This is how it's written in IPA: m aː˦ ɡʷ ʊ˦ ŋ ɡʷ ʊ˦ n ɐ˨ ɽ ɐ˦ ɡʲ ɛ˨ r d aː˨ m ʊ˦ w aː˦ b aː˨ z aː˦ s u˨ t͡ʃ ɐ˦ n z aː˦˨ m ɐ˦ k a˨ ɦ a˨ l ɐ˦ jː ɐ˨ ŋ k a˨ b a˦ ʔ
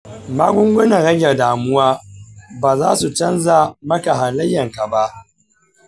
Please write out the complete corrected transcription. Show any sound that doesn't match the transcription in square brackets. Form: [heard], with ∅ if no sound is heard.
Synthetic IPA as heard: m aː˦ ɡʷ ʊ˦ ŋ ɡʷ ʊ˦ n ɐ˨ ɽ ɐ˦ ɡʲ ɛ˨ r d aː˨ m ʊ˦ w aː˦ b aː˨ z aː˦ s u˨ t͡ʃ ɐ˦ n z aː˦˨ m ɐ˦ k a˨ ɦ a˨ l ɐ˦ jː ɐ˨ ŋ k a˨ b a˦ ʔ